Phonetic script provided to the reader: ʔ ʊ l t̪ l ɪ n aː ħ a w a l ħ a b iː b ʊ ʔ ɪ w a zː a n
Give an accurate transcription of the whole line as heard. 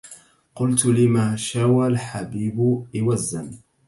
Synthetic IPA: q ʊ l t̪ l ɪ m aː ʃ a w a l ħ a b iː b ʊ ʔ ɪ w a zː a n